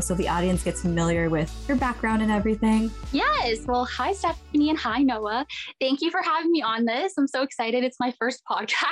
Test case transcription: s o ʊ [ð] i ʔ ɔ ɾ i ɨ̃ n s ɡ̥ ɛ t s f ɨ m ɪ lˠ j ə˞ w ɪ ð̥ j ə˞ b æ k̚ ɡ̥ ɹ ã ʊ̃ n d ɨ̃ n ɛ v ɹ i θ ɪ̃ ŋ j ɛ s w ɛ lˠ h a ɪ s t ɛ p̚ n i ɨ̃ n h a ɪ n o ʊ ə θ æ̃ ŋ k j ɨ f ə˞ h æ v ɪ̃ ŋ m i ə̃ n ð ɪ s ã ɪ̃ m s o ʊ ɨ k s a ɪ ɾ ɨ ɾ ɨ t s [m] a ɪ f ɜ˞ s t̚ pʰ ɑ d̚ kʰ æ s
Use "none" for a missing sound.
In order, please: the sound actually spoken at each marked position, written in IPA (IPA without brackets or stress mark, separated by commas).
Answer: ð, m